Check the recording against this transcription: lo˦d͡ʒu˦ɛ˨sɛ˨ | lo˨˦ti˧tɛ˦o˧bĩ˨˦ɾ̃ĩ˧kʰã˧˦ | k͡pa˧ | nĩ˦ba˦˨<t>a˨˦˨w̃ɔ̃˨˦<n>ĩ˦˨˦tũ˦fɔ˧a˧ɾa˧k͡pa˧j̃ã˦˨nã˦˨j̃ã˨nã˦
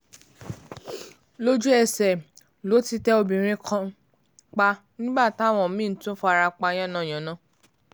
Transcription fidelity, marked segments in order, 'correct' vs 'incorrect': correct, incorrect: m

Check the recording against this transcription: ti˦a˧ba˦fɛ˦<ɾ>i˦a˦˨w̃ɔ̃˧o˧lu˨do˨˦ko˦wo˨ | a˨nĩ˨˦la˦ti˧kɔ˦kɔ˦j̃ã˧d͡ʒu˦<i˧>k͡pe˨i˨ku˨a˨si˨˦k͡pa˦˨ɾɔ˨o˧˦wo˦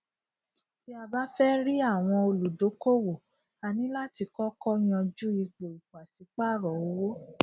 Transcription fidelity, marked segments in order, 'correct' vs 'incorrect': correct, correct

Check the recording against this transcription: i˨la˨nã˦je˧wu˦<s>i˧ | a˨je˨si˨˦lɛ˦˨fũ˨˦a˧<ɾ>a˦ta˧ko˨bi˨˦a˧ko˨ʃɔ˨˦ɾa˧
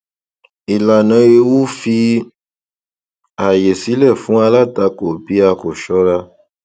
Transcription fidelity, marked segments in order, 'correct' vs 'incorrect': incorrect: f, incorrect: l

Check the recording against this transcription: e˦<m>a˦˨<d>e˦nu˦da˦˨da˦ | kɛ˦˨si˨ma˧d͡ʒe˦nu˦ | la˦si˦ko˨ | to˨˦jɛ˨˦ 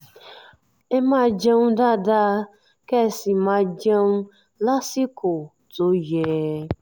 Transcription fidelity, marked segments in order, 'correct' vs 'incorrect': correct, incorrect: d͡ʒ

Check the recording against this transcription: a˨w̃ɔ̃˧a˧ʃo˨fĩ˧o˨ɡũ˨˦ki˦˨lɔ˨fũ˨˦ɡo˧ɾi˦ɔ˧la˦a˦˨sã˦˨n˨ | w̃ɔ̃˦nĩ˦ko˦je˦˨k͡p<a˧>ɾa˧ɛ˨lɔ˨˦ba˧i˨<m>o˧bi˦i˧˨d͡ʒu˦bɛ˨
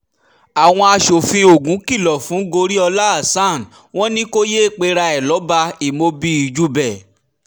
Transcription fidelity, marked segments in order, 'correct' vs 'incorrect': incorrect: e˧, correct

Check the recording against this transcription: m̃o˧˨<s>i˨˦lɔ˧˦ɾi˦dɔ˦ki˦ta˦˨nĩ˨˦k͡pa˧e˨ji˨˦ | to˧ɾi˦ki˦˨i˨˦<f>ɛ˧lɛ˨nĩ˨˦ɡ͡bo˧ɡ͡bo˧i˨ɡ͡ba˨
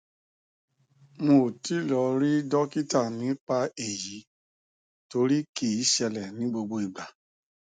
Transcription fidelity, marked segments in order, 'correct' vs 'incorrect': incorrect: t, incorrect: ʃ

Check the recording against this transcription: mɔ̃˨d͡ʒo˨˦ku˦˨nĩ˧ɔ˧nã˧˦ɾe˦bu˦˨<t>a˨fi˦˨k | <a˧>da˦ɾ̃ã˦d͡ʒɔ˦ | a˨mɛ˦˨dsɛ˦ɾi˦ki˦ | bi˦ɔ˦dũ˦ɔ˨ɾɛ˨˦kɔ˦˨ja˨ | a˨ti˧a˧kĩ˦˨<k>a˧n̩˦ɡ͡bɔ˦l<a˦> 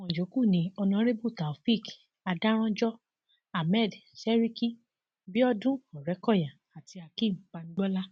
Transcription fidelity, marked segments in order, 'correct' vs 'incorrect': correct, correct, incorrect: k͡p, correct

